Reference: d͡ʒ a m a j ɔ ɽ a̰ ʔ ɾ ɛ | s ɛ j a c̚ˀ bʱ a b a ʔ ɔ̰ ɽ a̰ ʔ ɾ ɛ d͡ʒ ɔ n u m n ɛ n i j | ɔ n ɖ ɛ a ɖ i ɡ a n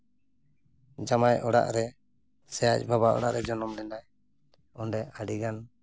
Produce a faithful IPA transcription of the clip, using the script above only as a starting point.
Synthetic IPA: d͡ʒ a m a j ɔ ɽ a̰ ʔ ɾ ɛ | s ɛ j a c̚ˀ bʱ a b a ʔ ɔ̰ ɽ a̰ ʔ ɾ ɛ d͡ʒ ɔ n ɔ m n ɛ n a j | ɔ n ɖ ɛ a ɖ i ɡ a n